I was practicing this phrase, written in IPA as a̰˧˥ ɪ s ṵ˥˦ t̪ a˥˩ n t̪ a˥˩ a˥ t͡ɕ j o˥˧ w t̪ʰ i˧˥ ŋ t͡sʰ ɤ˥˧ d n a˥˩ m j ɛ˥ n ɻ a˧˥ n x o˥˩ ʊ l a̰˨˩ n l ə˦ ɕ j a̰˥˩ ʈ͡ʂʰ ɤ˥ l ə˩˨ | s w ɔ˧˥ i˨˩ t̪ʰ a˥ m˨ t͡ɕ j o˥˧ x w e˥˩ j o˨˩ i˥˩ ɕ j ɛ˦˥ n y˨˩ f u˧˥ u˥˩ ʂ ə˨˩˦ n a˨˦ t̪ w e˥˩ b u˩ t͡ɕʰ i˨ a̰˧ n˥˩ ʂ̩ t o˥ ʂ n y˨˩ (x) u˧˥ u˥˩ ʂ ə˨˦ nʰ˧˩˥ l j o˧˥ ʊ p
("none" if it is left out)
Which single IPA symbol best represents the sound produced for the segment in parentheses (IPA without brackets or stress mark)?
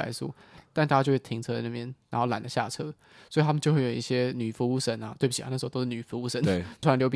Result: f